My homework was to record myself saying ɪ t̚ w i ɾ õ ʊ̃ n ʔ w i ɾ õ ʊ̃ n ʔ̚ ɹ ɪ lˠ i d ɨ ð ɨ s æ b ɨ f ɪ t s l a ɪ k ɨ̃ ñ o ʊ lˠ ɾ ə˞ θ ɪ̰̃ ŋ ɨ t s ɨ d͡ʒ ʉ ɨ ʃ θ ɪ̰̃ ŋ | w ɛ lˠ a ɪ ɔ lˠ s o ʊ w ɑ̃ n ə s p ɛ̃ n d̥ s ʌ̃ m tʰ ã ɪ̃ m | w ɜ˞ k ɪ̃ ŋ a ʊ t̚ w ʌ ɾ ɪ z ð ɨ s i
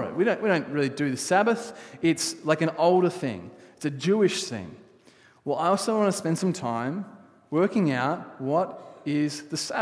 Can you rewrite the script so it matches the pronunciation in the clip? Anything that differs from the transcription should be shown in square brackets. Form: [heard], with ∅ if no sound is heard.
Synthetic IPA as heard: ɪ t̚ w i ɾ õ ʊ̃ n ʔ w i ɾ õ ʊ̃ n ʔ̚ ɹ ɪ lˠ i d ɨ ð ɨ s æ b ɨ [θ] ɪ t s l a ɪ k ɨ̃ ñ o ʊ lˠ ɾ ə˞ θ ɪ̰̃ ŋ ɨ t s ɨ d͡ʒ ʉ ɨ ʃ θ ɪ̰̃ ŋ | w ɛ lˠ a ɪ ɔ lˠ s o ʊ w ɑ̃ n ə s p ɛ̃ n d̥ s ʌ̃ m tʰ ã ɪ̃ m | w ɜ˞ k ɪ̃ ŋ a ʊ t̚ w ʌ ɾ ɪ z ð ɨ s [æ]